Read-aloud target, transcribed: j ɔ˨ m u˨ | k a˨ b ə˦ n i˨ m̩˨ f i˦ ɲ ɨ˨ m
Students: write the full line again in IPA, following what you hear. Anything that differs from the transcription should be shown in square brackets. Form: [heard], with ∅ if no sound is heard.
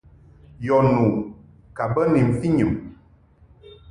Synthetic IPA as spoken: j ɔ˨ [n] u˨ | k a˨ b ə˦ n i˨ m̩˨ f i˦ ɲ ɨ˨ m